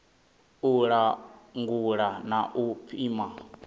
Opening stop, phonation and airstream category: plain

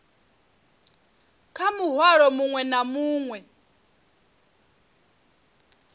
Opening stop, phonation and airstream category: aspirated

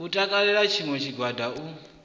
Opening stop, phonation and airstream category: ejective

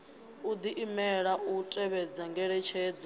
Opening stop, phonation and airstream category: plain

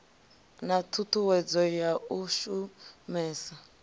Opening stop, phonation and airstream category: aspirated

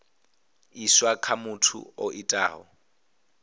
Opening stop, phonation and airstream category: aspirated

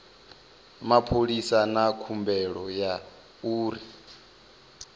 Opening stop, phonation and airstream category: aspirated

